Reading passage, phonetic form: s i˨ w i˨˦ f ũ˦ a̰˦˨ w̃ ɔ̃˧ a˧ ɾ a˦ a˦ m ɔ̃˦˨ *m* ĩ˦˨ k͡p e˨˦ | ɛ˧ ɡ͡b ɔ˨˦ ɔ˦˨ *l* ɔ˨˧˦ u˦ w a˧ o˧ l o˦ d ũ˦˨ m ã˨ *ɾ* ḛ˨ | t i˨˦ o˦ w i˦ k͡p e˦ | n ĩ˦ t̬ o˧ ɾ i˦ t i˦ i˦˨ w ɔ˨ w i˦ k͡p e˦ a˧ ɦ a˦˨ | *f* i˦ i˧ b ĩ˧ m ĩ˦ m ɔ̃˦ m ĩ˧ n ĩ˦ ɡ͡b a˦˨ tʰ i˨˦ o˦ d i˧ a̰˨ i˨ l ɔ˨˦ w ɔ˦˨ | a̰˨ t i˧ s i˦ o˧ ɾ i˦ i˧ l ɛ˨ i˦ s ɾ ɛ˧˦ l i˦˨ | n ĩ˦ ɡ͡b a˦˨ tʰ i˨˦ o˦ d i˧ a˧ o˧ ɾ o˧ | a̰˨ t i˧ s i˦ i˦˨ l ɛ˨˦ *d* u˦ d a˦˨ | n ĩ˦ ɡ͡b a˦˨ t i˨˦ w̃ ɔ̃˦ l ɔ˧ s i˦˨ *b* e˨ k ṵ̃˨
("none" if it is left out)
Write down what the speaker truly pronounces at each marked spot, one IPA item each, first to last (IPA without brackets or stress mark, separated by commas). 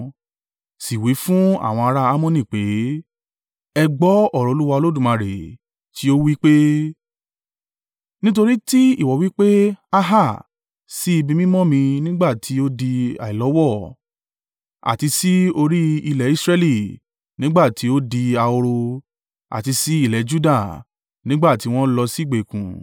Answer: n, ɾ, ɾ, s, d͡ʒ, ɡ͡b